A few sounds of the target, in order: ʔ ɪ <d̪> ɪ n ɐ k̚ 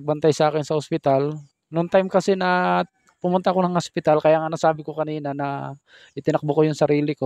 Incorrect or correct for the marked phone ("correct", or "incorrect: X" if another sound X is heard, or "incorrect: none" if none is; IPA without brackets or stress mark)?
incorrect: t̪